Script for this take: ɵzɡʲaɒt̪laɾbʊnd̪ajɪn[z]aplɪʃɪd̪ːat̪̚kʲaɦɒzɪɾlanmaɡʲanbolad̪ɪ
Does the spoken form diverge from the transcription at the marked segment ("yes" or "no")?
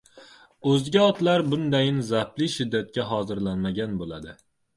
no